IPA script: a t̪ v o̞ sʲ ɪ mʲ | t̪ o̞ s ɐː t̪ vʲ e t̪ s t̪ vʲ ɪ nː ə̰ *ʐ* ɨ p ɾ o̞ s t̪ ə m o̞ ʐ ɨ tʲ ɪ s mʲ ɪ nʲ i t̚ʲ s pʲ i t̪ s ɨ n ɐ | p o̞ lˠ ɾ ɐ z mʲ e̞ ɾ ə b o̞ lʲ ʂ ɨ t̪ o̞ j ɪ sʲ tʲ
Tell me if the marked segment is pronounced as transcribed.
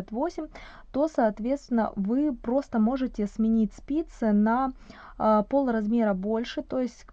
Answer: no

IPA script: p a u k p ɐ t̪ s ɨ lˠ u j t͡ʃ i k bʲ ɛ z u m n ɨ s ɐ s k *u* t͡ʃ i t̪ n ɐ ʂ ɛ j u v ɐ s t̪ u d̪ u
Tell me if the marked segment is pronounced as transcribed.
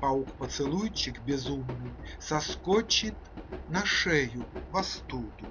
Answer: no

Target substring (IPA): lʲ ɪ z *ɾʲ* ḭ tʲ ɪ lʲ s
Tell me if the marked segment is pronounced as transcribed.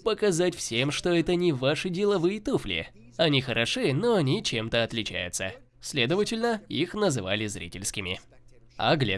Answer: yes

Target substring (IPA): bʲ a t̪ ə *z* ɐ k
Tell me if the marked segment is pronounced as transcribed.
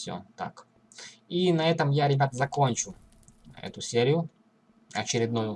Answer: yes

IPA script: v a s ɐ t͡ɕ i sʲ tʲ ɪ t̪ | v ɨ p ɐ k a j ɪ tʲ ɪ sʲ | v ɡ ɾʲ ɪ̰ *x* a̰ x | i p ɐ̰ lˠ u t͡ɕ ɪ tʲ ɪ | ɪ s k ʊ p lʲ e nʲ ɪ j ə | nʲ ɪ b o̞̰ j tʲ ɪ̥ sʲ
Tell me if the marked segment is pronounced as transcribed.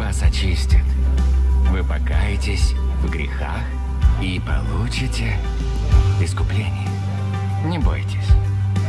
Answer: yes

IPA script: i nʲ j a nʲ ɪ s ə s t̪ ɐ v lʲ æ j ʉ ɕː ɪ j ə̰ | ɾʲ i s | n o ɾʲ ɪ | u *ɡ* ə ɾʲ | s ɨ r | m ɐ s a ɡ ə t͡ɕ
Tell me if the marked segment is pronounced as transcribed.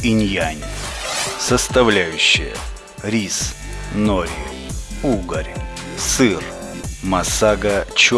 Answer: yes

